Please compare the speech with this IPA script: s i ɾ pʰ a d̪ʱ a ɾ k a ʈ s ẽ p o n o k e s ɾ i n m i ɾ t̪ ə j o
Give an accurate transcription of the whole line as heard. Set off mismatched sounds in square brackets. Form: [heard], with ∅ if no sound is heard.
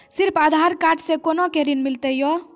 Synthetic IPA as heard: s i ɾ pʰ a d̪ʱ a ɾ k a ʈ s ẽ [k] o n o k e [∅] ɾ i n m i [l] t̪ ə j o